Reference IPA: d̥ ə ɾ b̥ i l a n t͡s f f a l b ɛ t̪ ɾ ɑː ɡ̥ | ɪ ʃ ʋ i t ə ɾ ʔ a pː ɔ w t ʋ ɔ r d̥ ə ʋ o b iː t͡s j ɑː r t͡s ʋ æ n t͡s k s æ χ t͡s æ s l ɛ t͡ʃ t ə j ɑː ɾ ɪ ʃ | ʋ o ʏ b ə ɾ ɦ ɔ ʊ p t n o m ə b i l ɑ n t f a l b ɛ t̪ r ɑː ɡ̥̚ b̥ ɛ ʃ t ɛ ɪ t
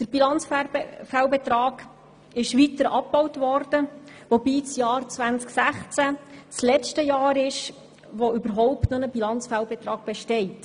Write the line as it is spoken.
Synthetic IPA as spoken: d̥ ə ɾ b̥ i l ɑ n t͡s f f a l b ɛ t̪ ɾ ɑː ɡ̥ | ɪ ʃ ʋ i t ə ɾ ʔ ɑ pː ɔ w t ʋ ɔ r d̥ ə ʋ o b iː t͡s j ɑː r t͡s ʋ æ n t͡s k s æ χ t͡s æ t͡s l ɛ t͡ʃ t ə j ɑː ɾ ɪ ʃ | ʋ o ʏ b ə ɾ ɦ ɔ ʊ p t n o n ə b i l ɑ n t͡s f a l b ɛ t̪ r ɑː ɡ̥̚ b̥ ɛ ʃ t ɛ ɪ t